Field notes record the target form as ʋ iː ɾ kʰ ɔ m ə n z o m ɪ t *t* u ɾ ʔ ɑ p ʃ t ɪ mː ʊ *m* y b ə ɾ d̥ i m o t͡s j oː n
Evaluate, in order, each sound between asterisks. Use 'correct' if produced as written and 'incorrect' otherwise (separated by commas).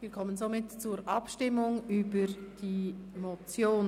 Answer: incorrect, incorrect